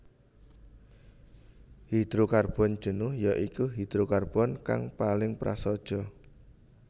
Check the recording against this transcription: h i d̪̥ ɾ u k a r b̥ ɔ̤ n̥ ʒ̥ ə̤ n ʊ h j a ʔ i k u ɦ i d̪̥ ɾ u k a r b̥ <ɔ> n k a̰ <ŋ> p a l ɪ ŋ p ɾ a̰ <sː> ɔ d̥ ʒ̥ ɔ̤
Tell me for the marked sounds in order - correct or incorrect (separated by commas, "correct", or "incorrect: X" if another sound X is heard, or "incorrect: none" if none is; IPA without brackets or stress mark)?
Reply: correct, correct, incorrect: s